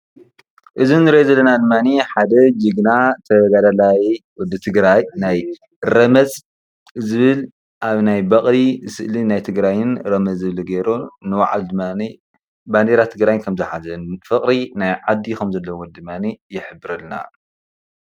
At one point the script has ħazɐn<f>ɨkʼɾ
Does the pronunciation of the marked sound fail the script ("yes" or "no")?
no